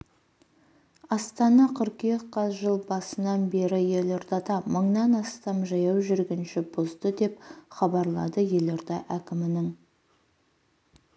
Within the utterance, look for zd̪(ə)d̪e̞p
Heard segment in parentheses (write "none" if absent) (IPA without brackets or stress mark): ə